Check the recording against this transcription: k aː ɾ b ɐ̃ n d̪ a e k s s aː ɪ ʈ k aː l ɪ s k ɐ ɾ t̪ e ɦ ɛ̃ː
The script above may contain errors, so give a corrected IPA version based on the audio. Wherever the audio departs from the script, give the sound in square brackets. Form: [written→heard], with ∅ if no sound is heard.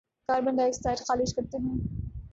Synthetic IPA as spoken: k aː ɾ b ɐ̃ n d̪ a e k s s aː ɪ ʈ [k→x] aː l ɪ [s→ʃ] k ɐ ɾ t̪ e ɦ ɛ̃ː